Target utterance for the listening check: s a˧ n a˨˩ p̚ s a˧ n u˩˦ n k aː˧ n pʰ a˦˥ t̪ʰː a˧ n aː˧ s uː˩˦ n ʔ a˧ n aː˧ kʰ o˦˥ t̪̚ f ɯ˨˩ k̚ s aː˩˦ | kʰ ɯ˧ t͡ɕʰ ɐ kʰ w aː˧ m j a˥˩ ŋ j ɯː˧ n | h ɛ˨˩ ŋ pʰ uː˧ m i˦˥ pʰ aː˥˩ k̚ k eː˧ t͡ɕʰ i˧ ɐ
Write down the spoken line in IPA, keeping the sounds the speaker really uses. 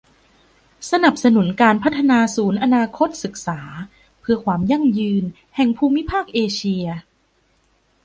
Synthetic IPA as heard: s a˧ n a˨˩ p̚ s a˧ n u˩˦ n k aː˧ n pʰ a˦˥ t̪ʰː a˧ n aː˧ s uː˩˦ n ʔ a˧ n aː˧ kʰ o˦˥ t̪̚ s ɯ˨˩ k̚ s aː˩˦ | pʰ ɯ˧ ɐ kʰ w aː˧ m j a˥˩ ŋ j ɯː˧ n | h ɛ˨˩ ŋ pʰ uː˧ m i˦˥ pʰ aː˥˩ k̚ ʔ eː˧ t͡ɕʰ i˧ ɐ